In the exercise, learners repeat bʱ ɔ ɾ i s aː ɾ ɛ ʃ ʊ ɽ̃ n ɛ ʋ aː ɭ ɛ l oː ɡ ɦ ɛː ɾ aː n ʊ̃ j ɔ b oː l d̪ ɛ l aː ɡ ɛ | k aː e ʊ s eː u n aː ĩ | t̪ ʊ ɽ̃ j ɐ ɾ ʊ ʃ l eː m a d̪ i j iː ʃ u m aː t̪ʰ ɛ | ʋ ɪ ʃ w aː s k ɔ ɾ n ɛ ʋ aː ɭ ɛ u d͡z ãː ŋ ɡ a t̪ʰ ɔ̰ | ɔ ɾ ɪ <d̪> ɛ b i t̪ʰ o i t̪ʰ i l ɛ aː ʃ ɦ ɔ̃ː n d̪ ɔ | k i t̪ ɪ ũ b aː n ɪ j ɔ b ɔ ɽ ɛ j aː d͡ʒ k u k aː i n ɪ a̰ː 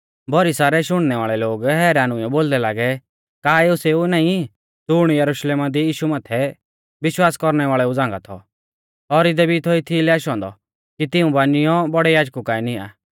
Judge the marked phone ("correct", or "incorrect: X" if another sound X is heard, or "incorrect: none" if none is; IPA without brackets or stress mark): correct